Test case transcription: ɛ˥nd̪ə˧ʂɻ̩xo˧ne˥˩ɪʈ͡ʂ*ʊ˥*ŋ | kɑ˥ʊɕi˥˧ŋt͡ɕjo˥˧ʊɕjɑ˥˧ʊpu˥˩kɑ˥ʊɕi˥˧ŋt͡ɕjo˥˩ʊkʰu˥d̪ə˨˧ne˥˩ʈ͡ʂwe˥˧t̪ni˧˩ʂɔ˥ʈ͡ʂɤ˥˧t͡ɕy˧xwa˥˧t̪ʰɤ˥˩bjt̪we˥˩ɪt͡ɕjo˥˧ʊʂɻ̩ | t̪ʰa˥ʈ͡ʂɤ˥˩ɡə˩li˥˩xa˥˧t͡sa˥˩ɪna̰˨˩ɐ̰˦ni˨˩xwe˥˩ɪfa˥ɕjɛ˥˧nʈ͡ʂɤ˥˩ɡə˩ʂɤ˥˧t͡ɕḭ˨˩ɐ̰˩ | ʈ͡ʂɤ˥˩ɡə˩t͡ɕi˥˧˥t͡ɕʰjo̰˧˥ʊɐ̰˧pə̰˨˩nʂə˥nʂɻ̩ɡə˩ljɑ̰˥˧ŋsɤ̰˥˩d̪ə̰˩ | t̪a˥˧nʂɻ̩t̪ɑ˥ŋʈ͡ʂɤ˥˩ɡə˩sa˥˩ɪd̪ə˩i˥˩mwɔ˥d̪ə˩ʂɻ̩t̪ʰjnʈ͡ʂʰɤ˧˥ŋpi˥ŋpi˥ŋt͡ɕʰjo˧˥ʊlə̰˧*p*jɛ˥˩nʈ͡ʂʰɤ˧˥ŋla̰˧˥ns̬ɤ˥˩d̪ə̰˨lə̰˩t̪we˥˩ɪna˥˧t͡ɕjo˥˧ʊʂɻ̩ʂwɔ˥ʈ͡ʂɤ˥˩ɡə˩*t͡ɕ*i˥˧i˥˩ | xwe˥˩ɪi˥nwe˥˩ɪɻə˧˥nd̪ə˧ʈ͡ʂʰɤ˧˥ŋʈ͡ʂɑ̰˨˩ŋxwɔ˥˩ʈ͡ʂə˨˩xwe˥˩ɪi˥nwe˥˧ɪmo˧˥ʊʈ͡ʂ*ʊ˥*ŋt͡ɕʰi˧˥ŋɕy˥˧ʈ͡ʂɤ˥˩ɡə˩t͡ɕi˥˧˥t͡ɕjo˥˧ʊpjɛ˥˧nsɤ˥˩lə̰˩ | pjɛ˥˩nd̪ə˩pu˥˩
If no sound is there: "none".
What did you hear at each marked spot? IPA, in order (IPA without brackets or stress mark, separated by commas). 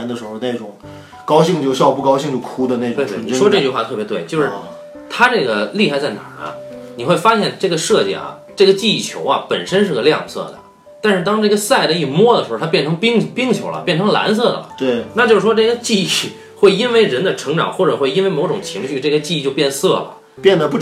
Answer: ʊ˨˩˦, p, t͡ɕ, ʊ˨˩